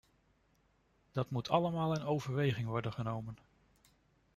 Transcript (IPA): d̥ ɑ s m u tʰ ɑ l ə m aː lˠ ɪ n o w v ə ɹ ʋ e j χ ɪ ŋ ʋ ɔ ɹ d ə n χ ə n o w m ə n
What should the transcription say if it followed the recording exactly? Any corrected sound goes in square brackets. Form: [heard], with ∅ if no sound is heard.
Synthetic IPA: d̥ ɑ [t] m u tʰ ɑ l ə m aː lˠ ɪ n o w v ə ɹ ʋ e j χ ɪ ŋ ʋ ɔ ɹ d ə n χ ə n o w m ə n